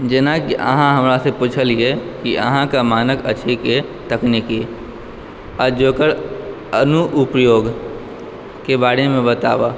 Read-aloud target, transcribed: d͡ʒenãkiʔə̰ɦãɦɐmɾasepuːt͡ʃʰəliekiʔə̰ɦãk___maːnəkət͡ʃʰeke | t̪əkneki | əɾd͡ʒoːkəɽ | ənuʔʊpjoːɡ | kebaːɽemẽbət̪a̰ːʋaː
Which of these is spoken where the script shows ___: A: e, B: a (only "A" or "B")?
B